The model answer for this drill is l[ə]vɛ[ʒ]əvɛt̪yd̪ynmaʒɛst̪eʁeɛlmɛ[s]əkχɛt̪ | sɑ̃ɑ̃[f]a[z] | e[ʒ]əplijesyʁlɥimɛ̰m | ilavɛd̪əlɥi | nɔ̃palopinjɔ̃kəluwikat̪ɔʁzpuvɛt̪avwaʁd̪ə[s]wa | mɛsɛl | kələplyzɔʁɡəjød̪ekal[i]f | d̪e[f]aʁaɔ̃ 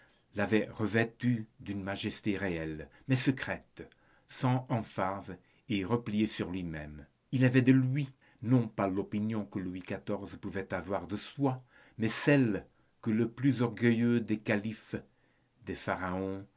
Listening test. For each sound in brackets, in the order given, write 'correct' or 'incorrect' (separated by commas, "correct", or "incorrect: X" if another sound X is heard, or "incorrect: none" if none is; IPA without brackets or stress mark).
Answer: incorrect: a, incorrect: ʁ, correct, correct, correct, incorrect: ʁ, correct, correct, correct